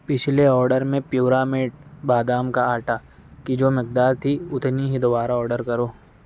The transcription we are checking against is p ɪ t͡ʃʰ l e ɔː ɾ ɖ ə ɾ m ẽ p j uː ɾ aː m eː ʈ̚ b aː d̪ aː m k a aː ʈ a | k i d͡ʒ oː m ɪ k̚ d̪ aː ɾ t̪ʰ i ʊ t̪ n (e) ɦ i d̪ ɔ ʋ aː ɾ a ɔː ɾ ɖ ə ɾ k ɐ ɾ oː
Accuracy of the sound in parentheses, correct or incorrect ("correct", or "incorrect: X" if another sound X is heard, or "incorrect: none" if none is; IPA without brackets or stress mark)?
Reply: incorrect: i